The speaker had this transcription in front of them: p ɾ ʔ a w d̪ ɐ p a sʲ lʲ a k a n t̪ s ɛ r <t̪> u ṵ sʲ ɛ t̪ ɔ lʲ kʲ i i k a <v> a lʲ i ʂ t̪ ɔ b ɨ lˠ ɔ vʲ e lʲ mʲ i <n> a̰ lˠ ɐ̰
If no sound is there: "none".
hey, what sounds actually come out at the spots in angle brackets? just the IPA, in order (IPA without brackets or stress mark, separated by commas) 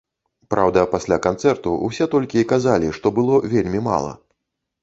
t̪, z, m